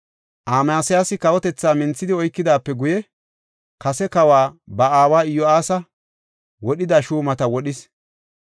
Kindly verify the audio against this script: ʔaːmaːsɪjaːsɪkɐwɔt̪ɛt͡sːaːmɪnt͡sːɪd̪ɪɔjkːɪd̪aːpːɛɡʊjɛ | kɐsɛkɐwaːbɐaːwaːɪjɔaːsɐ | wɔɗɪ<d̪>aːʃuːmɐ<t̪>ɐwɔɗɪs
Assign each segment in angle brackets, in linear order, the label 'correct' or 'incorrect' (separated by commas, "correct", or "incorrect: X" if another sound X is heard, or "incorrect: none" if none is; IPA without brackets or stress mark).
correct, correct